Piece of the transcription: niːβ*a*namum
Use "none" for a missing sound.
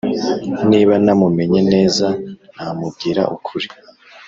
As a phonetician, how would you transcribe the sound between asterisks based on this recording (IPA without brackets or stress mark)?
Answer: a